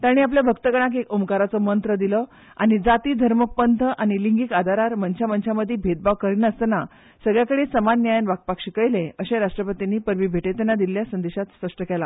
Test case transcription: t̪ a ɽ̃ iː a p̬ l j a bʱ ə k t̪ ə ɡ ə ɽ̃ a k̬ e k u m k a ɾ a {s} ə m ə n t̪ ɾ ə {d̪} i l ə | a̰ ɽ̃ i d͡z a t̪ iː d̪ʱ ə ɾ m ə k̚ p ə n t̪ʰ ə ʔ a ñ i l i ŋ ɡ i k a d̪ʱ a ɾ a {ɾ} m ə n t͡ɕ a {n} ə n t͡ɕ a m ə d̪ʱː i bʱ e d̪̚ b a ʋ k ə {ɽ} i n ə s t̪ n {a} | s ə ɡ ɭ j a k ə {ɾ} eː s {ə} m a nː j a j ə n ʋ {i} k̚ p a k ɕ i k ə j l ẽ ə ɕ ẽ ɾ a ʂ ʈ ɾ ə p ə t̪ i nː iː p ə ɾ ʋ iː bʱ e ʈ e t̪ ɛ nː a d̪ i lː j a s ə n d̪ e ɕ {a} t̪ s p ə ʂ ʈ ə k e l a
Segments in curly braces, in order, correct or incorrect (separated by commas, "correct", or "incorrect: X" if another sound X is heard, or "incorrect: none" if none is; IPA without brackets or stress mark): incorrect: t͡s, correct, correct, incorrect: m, incorrect: ɾ, correct, incorrect: ɽ, correct, incorrect: a, correct